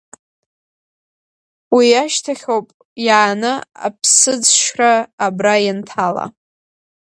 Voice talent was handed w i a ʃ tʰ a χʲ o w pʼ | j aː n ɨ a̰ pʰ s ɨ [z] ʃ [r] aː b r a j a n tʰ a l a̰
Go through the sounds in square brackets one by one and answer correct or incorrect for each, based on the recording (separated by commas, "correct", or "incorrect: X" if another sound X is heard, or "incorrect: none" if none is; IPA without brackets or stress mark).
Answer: incorrect: d͡z, correct